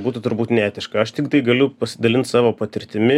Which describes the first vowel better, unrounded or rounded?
rounded